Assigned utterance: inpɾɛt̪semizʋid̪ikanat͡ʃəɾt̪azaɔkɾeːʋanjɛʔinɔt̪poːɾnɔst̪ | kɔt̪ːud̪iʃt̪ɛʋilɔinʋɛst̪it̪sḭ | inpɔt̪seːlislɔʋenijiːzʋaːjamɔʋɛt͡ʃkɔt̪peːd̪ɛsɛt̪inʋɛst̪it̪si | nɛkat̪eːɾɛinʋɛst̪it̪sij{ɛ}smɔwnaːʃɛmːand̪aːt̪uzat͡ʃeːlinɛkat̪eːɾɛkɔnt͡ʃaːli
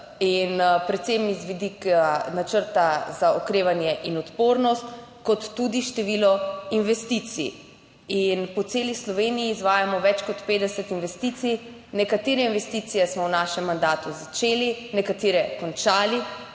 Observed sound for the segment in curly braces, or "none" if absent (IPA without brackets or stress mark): ɛ